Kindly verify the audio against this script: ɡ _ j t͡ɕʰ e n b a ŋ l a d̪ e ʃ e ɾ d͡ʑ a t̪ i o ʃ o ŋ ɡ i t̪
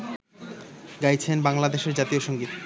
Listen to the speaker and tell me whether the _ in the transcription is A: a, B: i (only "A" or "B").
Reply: A